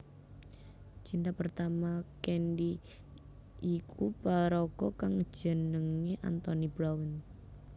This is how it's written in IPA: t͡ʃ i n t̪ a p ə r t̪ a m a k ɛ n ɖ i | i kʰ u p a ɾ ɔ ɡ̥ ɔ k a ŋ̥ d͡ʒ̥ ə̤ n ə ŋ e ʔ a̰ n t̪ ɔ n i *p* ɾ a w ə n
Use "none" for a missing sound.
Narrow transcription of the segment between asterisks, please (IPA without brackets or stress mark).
b